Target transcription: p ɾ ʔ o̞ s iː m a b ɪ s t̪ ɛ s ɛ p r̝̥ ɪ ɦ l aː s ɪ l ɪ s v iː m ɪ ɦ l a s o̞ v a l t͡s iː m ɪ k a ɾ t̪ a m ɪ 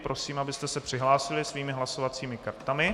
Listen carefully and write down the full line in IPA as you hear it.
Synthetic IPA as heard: p ɾ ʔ o̞ s iː m a b ɪ s t̪ ɛ s ɛ p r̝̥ ɪ ɦ l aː s ɪ l ɪ s v iː m ɪ ɦ l a s o̞ v a t͡s iː m ɪ k a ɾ t̪ a m ɪ

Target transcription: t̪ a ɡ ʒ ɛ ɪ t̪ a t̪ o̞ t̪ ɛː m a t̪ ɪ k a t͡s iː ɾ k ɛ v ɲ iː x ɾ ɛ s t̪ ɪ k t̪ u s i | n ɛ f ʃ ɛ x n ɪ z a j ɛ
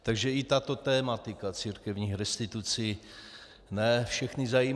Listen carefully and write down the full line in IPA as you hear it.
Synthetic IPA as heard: t̪ a ɡ ʒ ɛ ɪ t̪ a t̪ o̞ t̪ ɛː m a t̪ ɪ k a t͡s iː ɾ k ɛ v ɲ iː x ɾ ɛ s t̪ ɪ t̪ u t͡s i | n ɛ f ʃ ɛ x n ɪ z a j i

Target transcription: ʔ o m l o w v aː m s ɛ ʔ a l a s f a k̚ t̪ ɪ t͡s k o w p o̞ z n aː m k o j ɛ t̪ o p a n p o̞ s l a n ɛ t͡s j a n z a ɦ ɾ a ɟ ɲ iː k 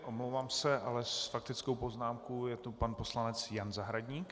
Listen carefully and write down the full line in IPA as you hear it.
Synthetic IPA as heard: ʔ o m l o w v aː m s ɛ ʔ a l ɛ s f a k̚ t̪ ɪ t͡s k o w p o̞ z n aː m k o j ɛ t̪ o p a n p o̞ s l a n ɛ t͡s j a n z a ɦ ɾ a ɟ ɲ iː k

